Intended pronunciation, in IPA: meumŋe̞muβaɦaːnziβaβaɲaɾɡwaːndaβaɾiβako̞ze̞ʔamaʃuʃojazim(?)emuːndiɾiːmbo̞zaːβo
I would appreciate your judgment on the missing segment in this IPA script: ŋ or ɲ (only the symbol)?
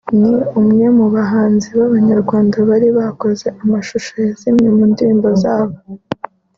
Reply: ɲ